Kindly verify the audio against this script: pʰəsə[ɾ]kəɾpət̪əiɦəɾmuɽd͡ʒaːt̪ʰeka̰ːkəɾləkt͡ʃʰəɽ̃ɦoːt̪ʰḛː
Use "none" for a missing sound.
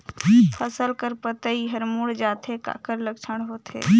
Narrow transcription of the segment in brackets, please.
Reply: l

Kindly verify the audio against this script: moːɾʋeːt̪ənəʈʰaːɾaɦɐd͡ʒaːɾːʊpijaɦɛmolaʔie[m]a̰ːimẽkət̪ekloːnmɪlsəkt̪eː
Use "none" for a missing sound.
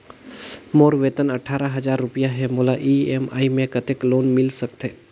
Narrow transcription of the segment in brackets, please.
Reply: m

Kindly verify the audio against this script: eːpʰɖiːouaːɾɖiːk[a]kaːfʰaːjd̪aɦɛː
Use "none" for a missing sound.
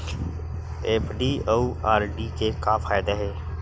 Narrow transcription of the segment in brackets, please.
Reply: e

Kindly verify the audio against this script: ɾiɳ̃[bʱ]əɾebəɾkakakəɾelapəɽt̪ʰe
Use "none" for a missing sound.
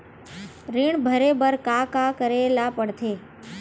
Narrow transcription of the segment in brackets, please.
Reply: bʱ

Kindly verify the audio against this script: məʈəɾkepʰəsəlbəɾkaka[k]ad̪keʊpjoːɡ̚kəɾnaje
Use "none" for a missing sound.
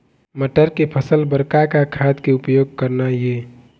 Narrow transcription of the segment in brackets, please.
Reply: kʰ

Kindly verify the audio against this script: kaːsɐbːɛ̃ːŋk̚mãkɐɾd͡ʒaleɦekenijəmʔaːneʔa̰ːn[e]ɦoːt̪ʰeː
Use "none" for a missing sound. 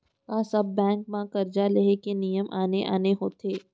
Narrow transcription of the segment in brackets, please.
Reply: e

